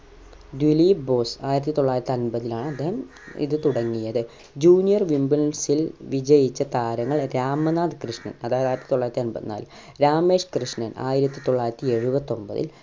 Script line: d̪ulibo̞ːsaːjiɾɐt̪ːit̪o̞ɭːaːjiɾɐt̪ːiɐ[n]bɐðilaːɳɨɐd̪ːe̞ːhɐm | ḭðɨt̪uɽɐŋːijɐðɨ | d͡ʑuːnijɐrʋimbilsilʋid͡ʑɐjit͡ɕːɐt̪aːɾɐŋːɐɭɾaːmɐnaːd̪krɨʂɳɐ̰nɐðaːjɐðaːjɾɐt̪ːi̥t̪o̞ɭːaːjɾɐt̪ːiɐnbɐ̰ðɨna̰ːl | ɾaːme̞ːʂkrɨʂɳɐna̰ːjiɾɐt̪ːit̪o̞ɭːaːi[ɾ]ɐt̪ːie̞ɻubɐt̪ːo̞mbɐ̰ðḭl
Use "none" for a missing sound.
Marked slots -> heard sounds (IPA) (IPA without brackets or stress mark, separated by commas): n, ɾ